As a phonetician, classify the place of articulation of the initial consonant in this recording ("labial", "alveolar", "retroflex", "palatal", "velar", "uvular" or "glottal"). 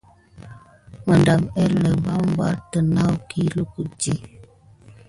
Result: labial